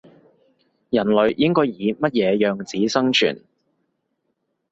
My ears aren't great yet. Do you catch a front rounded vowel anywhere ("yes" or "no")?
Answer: yes